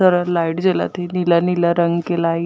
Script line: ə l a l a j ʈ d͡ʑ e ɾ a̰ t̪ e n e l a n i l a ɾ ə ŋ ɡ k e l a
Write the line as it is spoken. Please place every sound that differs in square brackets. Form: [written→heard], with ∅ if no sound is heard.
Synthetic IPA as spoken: ə [l→ɾ] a l a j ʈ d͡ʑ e [ɾ→l] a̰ t̪ e n [e→i] l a n i l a ɾ ə ŋ ɡ k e l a